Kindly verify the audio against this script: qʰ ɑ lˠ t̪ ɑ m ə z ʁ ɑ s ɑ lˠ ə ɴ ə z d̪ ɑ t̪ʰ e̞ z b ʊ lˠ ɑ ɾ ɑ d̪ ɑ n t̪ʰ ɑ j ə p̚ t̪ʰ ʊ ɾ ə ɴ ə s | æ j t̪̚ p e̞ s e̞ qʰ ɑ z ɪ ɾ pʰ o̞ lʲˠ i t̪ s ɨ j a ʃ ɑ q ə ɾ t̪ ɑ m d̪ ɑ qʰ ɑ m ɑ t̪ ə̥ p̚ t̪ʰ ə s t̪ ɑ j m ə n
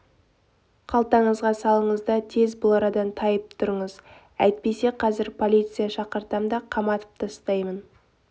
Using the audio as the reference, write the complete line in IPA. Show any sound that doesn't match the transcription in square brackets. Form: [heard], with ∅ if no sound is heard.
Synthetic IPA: qʰ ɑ lˠ t̪ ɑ [ɴ] ə z ʁ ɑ s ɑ lˠ ə ɴ ə z d̪ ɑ t̪ʰ e̞ z b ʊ lˠ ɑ ɾ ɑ d̪ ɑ n t̪ʰ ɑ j ə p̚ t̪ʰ ʊ ɾ ə ɴ ə [z] | æ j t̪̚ p e̞ s e̞ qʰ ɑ z ɪ ɾ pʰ o̞ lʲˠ i t̪ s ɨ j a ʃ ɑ q ə ɾ t̪ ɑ m d̪ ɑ qʰ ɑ m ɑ t̪ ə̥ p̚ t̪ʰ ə s t̪ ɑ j m ə n

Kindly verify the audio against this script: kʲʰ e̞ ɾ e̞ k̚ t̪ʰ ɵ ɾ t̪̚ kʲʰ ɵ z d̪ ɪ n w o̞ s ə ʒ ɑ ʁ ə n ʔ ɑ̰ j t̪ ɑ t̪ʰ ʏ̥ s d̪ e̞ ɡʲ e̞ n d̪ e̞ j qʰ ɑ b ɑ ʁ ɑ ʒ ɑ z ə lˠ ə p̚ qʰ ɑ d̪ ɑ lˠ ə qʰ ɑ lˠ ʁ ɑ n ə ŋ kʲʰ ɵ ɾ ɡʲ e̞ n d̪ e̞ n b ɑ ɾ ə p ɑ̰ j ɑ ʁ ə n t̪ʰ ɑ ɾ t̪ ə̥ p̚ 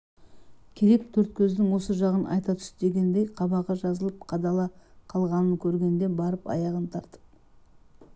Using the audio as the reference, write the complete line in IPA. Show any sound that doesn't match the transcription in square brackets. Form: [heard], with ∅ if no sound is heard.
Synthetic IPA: kʲʰ e̞ ɾ e̞ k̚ t̪ʰ ɵ ɾ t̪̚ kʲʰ ɵ z d̪ ɪ [ŋ] w o̞ s ə ʒ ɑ ʁ ə n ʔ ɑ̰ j t̪ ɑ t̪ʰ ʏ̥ s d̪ e̞ ɡʲ e̞ n d̪ e̞ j qʰ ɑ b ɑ ʁ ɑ ʒ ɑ z ə lˠ ə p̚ qʰ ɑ d̪ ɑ lˠ [ɑ] qʰ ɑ lˠ ʁ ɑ n ə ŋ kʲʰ ɵ ɾ ɡʲ e̞ n d̪ e̞ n b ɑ ɾ ə p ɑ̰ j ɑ ʁ ə n t̪ʰ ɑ ɾ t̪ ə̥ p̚

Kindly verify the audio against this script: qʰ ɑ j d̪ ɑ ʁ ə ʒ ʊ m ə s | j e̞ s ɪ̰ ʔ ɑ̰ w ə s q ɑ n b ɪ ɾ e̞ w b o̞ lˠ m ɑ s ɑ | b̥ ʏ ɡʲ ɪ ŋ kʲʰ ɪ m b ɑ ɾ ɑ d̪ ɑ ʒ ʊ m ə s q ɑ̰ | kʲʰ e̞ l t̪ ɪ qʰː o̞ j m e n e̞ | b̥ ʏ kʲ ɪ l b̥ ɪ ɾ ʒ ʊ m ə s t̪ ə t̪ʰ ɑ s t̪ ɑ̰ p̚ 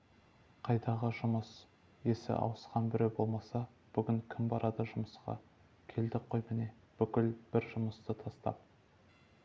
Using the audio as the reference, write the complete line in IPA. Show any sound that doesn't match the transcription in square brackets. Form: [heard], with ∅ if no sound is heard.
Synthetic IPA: qʰ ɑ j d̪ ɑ ʁ ə ʒ ʊ m ə s | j e̞ s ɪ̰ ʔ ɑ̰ w ə s q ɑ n b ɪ ɾ e̞ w b o̞ lˠ m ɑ s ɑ | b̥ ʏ ɡʲ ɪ ŋ kʲʰ ɪ m b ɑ ɾ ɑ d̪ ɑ ʒ ʊ m ə s q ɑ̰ | kʲʰ e̞ l [d̪] ɪ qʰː o̞ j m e n e̞ | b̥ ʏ kʲ ɪ l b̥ ɪ ɾ ʒ ʊ m ə s t̪ ə t̪ʰ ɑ s t̪ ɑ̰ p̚

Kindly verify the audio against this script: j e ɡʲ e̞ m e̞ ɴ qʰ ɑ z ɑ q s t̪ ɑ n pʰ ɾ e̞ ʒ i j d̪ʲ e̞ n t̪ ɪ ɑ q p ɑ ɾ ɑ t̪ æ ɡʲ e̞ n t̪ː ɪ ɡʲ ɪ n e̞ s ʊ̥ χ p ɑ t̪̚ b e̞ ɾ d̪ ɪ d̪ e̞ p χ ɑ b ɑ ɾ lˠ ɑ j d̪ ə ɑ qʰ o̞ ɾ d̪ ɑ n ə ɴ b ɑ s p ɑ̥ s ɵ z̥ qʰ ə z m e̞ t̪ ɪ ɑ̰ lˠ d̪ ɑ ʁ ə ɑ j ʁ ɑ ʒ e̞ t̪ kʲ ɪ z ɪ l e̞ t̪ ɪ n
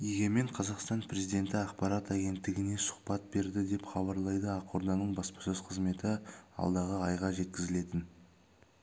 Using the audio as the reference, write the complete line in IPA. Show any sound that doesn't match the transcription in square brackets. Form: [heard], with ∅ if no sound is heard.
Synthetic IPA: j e ɡʲ e̞ m e̞ ɴ qʰ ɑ z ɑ q s t̪ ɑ n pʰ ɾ e̞ [z] i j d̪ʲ e̞ n t̪ ɪ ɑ q p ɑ ɾ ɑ t̪ æ ɡʲ e̞ n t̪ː ɪ ɡʲ ɪ n e̞ s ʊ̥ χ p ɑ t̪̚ b e̞ ɾ d̪ ɪ d̪ e̞ p χ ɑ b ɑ ɾ lˠ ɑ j d̪ ə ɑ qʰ o̞ ɾ d̪ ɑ n ə ɴ b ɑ s p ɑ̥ s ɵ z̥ qʰ ə z m e̞ t̪ ɪ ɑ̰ lˠ d̪ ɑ ʁ ə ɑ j ʁ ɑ ʒ e̞ t̪ kʲ ɪ z ɪ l e̞ t̪ ɪ n

